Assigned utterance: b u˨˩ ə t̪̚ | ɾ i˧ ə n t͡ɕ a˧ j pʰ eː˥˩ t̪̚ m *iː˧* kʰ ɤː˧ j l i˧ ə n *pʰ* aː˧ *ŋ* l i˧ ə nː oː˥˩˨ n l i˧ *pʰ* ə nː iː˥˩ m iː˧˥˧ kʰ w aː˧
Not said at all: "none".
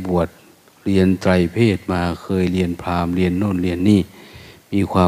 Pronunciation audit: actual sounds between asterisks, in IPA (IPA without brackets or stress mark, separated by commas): aː˧, pʰ, m, none